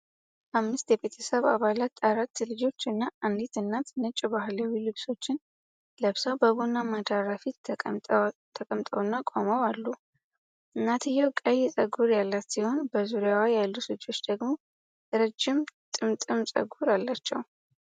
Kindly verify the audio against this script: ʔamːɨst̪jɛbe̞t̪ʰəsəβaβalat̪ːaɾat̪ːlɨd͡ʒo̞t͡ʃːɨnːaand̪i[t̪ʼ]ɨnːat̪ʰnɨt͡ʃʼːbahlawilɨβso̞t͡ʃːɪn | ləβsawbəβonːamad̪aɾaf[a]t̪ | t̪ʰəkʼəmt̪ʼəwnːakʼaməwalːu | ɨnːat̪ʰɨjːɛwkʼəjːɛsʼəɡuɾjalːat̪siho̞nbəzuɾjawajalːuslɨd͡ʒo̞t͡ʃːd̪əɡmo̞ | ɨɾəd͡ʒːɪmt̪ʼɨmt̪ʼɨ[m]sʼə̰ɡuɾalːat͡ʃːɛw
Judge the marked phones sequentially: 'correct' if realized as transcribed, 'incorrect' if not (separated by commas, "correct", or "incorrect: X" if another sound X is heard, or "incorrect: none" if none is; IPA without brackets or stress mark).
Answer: incorrect: t̪, incorrect: i, correct